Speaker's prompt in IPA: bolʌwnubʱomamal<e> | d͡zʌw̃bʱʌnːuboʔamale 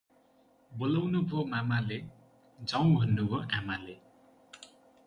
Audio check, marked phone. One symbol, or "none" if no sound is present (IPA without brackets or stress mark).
e